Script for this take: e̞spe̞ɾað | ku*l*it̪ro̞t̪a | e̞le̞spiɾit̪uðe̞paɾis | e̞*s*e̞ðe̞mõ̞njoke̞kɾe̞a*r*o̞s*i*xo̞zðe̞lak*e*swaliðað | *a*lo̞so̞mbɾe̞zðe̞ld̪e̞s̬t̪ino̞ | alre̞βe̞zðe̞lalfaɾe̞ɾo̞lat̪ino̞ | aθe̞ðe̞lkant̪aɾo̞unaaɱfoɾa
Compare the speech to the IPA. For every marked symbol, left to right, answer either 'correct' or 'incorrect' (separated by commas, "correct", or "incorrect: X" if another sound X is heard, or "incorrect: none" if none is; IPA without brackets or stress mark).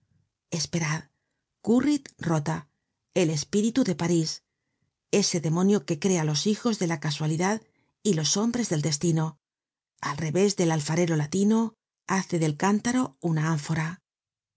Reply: incorrect: r, correct, incorrect: l, correct, incorrect: a, incorrect: i